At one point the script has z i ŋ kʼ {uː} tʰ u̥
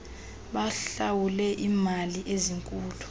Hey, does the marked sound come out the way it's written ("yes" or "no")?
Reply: yes